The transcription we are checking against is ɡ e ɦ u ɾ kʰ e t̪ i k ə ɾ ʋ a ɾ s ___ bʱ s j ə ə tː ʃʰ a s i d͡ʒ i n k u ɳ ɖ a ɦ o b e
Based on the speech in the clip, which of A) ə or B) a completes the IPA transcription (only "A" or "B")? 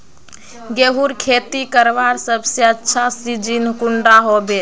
A